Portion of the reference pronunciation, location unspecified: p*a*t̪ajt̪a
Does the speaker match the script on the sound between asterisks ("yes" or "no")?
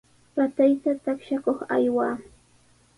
yes